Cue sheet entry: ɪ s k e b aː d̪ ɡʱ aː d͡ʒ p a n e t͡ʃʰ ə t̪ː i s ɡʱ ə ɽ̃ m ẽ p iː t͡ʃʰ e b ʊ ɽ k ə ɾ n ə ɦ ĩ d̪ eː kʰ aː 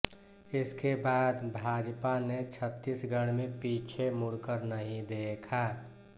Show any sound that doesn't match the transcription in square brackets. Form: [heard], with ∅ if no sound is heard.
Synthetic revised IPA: ɪ s k e b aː d̪ [bʱ] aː d͡ʒ p a n e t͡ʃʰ ə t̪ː i s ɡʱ ə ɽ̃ m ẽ p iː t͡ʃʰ e [m] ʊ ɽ k ə ɾ n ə ɦ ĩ d̪ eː kʰ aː